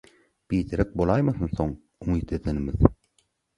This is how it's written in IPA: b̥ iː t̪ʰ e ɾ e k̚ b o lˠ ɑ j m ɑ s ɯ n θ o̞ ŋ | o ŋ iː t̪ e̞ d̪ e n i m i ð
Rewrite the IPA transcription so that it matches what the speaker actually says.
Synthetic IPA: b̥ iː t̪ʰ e ɾ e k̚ b o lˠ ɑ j m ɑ θ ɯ n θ o̞ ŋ | u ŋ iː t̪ e̞ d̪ e n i m i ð